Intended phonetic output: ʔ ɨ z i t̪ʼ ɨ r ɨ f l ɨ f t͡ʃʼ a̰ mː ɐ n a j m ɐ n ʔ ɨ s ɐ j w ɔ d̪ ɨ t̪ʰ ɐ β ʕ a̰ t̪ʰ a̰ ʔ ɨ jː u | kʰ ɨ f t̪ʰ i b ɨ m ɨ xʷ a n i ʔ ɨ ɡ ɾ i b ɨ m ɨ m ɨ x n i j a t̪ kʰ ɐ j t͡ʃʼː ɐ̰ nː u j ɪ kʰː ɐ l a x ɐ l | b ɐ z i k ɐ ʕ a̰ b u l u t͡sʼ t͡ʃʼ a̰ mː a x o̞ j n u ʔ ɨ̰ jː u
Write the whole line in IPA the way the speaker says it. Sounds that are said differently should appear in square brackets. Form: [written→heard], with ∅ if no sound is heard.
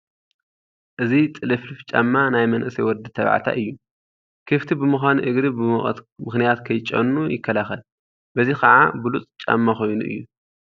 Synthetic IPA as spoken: ʔ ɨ z i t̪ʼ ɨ [r→l] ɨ f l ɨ f t͡ʃʼ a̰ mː [ɐ→a] n a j m ɐ n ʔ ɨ s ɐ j w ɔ d̪ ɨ t̪ʰ ɐ β ʕ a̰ t̪ʰ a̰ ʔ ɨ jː u | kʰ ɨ f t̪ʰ i b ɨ m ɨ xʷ a n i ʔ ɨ ɡ ɾ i b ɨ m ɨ m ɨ x n i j a t̪ kʰ ɐ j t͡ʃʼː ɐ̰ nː u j ɪ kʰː ɐ l a x ɐ l | b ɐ z i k ɐ ʕ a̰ b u l u t͡sʼ t͡ʃʼ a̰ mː a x o̞ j n u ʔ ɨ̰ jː u